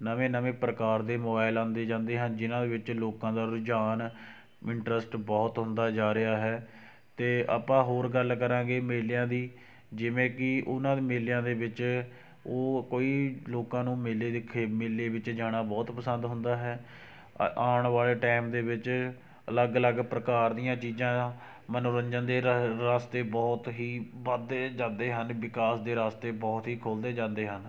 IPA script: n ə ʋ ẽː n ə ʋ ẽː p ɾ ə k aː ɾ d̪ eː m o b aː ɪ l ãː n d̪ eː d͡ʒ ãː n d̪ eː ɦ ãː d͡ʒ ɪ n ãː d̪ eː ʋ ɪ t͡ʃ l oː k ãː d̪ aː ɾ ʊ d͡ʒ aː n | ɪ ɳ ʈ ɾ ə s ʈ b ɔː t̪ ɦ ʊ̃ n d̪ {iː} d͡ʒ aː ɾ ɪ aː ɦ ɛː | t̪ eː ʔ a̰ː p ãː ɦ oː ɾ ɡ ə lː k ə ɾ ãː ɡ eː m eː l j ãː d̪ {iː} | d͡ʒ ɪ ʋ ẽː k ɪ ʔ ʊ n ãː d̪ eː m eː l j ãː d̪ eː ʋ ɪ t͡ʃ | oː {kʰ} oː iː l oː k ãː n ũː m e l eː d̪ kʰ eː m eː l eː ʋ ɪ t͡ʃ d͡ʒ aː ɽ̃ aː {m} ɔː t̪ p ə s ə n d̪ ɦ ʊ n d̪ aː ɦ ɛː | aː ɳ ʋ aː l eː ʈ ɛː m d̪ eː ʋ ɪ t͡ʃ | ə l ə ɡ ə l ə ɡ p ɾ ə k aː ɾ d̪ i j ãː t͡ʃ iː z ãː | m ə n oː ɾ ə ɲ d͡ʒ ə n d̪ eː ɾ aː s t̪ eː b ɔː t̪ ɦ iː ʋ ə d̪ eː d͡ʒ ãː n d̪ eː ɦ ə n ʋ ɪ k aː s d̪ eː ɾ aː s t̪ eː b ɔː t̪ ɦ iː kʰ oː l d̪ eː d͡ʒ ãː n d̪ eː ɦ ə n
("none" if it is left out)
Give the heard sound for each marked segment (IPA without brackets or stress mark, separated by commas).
aː, iː, k, b